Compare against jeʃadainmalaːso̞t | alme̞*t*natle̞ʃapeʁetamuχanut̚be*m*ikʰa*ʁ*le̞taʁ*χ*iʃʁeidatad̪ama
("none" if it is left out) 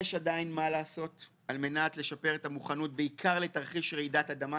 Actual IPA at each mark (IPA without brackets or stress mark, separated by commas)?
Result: none, none, ʁ, χ